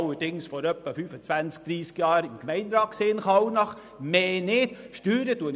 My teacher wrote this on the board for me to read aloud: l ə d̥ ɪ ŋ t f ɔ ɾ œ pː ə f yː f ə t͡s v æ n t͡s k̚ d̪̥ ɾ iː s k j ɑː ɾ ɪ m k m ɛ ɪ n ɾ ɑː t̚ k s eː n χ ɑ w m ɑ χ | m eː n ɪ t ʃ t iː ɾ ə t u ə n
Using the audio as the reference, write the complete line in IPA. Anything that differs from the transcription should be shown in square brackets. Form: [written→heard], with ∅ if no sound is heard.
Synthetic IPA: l ə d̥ ɪ ŋ [t→s] f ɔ ɾ œ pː ə f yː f ə t͡s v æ n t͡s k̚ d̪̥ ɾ iː s k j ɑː ɾ ɪ m k m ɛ ɪ n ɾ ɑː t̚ k s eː n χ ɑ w [m→n] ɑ χ | m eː n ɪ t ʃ t [iː→yː] ɾ ə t u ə n